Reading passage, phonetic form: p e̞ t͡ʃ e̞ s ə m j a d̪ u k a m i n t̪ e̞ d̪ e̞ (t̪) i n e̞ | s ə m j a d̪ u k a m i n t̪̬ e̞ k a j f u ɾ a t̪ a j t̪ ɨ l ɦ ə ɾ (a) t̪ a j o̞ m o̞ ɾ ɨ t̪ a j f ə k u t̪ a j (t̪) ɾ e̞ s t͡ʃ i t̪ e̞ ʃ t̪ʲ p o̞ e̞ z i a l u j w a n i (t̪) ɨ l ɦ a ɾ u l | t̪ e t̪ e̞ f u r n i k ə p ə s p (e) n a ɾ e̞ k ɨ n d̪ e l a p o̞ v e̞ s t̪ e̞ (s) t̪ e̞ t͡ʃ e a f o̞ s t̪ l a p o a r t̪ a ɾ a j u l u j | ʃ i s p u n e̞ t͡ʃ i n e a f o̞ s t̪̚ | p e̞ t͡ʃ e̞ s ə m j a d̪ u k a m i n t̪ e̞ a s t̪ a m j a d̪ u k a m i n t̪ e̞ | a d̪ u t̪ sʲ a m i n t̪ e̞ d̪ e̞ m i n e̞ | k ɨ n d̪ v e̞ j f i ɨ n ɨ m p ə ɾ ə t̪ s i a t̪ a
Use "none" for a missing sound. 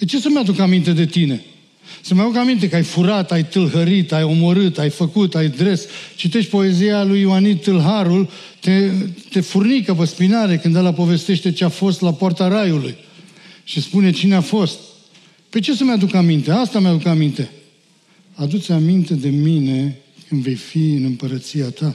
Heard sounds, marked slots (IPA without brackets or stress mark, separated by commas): t̪, i, d̪, t̪, i, ʃ